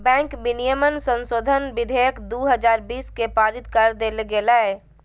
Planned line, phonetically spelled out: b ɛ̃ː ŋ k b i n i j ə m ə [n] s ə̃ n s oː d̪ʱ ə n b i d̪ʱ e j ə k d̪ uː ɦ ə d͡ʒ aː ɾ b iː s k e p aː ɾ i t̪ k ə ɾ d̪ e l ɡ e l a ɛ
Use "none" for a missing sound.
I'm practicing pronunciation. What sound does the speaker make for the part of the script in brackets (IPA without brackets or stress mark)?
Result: n